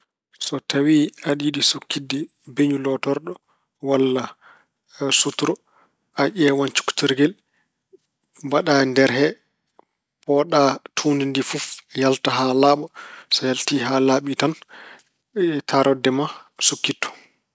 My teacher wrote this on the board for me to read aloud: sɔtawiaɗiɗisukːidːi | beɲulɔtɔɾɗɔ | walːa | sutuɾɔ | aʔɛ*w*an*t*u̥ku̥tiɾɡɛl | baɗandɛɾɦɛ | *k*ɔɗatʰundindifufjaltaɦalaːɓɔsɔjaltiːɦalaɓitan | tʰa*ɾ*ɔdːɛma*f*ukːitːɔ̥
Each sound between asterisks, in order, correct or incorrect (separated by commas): correct, incorrect, incorrect, correct, incorrect